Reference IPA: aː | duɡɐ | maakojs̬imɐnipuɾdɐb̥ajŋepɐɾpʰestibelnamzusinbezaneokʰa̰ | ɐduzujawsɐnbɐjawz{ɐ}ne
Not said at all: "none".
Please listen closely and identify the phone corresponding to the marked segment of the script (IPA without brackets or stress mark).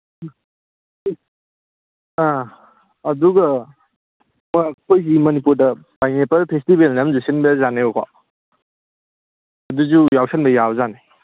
a